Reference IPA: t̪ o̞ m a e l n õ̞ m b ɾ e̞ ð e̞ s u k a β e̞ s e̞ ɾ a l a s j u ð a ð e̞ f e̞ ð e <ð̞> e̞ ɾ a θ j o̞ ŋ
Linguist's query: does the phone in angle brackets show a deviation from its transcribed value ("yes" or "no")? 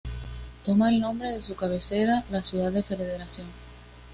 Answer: no